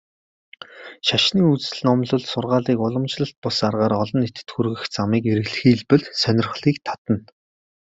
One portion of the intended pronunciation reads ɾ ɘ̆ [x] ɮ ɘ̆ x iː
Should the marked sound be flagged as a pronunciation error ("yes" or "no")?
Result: yes